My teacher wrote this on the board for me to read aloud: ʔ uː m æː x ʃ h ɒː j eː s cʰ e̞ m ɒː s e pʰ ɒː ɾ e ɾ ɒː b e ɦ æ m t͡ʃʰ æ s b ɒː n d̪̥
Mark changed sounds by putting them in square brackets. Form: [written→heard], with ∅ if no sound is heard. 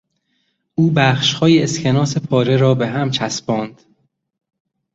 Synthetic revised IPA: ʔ uː [m→b] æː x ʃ h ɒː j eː s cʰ e̞ [m→n] ɒː s e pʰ ɒː ɾ e ɾ ɒː b e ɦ æ m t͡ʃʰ æ s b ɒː n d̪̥

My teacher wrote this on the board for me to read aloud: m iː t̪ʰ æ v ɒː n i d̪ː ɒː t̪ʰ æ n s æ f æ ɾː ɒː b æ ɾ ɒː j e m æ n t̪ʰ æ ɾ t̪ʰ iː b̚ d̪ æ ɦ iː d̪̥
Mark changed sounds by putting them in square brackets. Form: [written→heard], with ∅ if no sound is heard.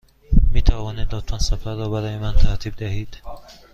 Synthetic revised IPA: m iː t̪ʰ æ v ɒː n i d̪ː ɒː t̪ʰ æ n s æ f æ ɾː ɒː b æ ɾ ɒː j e m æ n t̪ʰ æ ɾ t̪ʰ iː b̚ d̪ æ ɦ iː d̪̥

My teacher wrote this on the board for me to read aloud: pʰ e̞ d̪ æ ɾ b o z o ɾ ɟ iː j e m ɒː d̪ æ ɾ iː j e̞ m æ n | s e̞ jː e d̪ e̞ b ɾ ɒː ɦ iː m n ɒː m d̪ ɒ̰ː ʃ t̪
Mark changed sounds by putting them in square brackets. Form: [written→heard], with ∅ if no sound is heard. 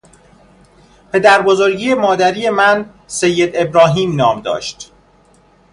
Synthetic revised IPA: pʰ e̞ d̪ æ ɾ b o z o ɾ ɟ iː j e m ɒː d̪ æ ɾ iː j e̞ m æ n | s e̞ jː e d̪ e̞ b ɾ ɒː ɦ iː m n ɒː m d̪ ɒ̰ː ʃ t̪

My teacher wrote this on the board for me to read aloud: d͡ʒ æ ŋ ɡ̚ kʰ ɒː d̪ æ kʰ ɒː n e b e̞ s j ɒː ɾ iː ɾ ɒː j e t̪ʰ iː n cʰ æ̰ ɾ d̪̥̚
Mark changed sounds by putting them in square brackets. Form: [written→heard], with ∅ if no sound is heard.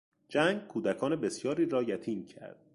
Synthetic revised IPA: d͡ʒ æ ŋ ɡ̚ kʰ [ɒː→uː] d̪ æ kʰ ɒː n e b e̞ s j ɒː ɾ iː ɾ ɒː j [e→æ] t̪ʰ iː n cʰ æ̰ ɾ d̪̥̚

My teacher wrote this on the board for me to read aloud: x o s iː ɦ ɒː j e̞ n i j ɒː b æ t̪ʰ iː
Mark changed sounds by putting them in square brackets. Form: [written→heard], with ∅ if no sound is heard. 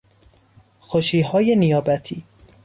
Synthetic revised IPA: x o [s→ʃ] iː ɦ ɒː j e̞ n i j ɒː b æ t̪ʰ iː

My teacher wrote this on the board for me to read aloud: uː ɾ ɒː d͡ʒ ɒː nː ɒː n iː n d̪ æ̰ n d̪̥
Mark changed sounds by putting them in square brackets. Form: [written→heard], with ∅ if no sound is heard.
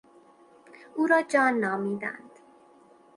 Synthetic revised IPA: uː ɾ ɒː d͡ʒ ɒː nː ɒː [n→m] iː [n→∅] d̪ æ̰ n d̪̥

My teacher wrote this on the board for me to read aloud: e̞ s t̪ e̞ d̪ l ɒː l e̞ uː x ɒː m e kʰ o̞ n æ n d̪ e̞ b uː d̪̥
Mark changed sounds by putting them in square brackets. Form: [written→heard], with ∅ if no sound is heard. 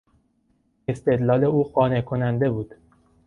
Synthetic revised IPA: e̞ s t̪ e̞ d̪ l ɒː l e̞ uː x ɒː [m→n] e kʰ o̞ n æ n d̪ e̞ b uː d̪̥

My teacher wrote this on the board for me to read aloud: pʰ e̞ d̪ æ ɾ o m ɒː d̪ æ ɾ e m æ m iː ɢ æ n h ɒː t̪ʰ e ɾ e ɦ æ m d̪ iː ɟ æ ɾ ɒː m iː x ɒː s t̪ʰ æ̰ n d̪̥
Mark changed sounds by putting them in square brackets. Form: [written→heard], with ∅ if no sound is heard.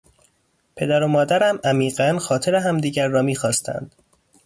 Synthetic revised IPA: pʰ e̞ d̪ æ ɾ o m ɒː d̪ æ ɾ [e→æ] m æ m iː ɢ æ n [h→x] ɒː t̪ʰ e ɾ e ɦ æ m d̪ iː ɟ æ [ɾ→ɾː] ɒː m iː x ɒː s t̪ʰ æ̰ n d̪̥

